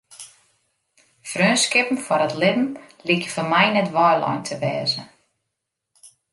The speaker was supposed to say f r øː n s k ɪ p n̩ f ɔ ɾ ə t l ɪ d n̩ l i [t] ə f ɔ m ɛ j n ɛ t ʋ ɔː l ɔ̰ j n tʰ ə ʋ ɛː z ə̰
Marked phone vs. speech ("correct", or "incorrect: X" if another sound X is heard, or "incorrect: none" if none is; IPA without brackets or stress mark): incorrect: k